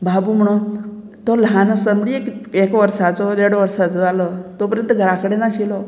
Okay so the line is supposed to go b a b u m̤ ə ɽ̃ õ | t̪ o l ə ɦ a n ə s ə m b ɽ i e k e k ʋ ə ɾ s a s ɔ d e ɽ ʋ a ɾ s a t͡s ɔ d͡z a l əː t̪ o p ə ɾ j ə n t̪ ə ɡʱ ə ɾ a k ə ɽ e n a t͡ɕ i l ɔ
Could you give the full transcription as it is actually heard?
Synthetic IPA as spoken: b a b u m̤ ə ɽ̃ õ | t̪ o l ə ɦ a n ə s ə m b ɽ i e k e k ʋ ə ɾ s a t͡s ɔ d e ɽ ʋ ə ɾ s a t͡s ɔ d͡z a l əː t̪ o p ə ɾ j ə n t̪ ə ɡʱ ə ɾ a k ə ɽ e n a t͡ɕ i l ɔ